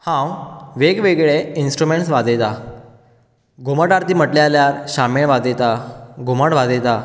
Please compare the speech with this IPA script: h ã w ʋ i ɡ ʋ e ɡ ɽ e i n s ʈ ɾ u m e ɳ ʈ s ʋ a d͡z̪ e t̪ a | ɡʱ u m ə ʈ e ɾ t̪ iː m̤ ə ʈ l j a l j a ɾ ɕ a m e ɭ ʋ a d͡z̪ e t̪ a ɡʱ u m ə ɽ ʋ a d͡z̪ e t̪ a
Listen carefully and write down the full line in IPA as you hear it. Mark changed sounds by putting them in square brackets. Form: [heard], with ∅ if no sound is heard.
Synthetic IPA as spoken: h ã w ʋ [e] ɡ ʋ e ɡ [ɭ] e i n s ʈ ɾ u m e ɳ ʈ s ʋ a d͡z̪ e t̪ a | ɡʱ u m ə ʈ [a] ɾ t̪ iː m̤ ə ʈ l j a l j a ɾ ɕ a m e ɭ ʋ a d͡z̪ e t̪ a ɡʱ u m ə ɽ ʋ a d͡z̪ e t̪ a